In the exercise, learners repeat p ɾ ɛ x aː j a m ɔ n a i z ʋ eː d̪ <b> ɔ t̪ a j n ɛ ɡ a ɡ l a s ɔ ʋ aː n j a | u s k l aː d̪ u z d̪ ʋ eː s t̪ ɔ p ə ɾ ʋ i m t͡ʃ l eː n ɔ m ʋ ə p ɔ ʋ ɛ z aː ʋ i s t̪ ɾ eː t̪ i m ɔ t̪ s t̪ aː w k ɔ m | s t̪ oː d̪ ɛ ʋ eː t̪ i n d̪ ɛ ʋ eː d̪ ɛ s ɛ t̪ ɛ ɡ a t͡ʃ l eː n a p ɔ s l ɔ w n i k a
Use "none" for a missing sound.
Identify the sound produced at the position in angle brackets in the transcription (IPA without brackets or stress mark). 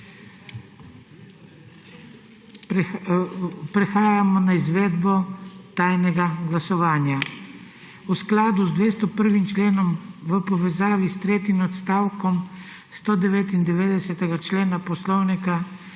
b